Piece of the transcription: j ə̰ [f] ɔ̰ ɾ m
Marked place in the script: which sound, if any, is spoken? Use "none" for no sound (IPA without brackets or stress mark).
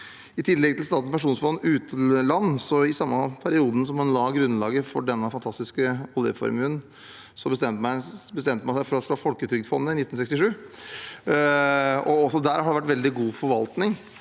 f